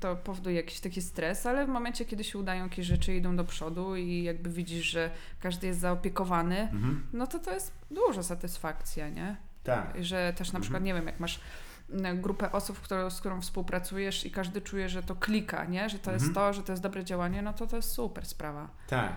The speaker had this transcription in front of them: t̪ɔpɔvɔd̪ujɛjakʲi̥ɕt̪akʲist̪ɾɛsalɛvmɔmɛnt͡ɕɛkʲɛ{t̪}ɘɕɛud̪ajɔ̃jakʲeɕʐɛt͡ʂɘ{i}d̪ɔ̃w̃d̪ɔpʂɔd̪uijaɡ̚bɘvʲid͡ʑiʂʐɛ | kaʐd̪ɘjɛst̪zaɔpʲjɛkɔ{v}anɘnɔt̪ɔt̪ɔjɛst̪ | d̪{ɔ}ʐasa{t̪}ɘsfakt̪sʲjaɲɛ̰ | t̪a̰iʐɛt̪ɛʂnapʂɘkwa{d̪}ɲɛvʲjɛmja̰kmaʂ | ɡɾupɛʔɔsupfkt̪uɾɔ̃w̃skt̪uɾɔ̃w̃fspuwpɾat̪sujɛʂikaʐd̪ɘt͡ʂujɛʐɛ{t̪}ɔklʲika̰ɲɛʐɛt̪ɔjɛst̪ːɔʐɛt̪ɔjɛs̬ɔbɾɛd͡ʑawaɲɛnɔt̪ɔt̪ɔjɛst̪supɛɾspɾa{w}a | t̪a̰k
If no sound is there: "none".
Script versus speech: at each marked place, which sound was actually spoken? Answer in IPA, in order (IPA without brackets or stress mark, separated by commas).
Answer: d̪, i, v, u, t̪, t̪, t̪, v